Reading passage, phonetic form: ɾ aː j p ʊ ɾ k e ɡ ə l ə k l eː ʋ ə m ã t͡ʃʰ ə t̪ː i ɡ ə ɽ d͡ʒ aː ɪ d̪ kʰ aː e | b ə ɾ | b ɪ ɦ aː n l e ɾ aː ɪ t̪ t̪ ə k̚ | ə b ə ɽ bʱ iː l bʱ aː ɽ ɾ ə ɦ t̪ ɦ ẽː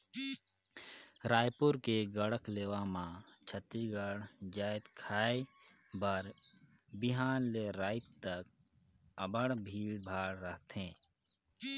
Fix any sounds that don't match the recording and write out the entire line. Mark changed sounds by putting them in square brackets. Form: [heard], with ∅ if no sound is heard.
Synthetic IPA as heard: ɾ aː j p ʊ ɾ k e ɡ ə [ɽ] ə k l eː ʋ [a] m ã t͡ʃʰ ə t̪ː i ɡ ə ɽ d͡ʒ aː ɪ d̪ kʰ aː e | b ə ɾ | b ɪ ɦ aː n l e ɾ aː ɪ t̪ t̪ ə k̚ | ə b ə ɽ bʱ iː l bʱ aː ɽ ɾ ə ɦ t̪ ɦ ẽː